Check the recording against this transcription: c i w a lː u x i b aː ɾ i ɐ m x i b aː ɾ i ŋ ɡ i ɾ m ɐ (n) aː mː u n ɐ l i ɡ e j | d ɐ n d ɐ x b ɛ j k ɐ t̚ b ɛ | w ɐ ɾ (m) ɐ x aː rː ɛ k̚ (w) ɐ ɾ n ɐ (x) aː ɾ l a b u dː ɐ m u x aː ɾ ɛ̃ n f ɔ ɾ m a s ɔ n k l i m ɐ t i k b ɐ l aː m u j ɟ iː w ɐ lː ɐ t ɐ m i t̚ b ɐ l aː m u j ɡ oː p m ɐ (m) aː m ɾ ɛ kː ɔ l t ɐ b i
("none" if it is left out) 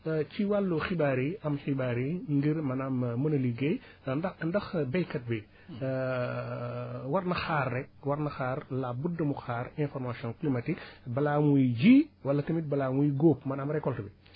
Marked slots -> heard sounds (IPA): n, n, w, x, n

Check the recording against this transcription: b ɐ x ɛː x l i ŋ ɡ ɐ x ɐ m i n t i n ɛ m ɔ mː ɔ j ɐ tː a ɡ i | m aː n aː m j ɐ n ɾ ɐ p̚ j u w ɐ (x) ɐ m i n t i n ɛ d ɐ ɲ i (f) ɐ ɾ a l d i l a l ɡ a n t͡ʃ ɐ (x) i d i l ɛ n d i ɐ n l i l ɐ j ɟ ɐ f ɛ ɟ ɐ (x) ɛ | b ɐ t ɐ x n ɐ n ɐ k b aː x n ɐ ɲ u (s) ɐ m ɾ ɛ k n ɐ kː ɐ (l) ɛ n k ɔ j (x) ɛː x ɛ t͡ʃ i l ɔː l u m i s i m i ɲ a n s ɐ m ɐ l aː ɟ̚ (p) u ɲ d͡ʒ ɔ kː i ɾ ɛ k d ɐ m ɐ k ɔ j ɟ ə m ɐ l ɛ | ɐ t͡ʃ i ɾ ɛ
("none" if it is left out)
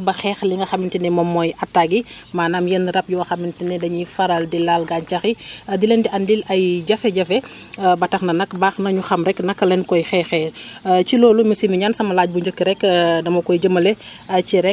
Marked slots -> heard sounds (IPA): x, f, x, f, x, l, x, b

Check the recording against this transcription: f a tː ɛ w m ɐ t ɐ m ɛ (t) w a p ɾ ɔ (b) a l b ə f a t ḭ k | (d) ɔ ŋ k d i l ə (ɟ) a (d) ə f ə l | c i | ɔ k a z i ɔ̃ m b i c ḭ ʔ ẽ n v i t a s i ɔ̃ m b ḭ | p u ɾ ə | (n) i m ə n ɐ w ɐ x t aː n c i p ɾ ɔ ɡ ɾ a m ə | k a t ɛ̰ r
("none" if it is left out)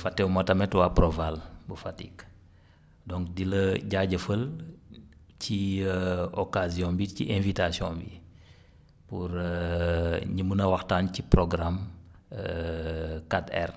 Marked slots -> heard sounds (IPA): t, v, d, ɟ, ɟ, ɲ

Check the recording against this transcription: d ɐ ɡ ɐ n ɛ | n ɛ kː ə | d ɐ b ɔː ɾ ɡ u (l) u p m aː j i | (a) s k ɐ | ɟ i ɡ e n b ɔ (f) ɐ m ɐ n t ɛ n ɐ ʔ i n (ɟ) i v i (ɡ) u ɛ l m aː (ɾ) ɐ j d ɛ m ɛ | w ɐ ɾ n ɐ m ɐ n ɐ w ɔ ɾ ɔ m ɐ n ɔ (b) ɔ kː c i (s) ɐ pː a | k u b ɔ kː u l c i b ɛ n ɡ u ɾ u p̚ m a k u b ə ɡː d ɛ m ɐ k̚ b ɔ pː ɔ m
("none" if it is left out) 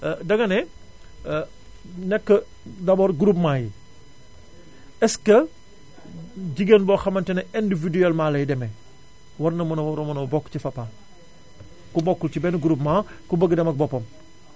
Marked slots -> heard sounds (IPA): ɾ, ɛ, x, d, d, l, b, f

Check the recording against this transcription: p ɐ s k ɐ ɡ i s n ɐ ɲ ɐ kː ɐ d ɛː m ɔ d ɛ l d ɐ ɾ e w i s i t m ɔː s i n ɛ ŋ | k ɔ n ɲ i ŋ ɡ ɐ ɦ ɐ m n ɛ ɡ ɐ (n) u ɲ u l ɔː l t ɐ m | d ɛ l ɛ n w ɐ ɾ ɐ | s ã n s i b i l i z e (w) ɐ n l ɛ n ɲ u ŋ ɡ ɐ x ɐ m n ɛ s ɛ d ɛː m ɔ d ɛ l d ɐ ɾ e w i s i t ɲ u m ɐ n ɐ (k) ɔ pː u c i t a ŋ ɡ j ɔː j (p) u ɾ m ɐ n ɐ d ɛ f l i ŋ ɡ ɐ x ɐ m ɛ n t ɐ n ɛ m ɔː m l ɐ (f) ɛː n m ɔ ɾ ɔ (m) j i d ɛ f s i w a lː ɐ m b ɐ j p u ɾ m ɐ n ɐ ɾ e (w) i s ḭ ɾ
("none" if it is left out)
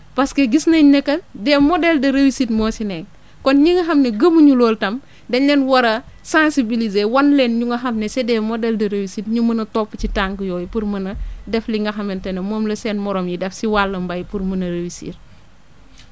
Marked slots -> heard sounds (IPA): m, w, t, p, s, m, w

